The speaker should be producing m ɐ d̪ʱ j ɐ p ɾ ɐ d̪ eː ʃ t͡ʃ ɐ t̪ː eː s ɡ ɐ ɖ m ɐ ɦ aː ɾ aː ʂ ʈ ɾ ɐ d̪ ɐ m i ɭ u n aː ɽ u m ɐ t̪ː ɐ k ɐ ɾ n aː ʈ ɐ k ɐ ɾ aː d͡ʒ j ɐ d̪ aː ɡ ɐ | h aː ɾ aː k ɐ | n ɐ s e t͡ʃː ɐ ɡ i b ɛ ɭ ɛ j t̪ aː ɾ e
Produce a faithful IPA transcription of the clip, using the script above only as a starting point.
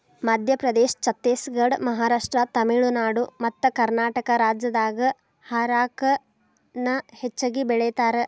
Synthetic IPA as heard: m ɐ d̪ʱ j ɐ p ɾ ɐ d̪ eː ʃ t͡ʃ ɐ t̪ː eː s ɡ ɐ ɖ m ɐ ɦ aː ɾ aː ʂ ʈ ɾ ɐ t̪ ɐ m i ɭ u n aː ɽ u m ɐ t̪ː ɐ k ɐ ɾ n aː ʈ ɐ k ɐ ɾ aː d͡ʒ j ɐ d̪ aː ɡ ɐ | h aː ɾ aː k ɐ | n ɐ h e t͡ʃː ɐ ɡ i b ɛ ɭ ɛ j t̪ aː ɾ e